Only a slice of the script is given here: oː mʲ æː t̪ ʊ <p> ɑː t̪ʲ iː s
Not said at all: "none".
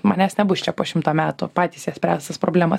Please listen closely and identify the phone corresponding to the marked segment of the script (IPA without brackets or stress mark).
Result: p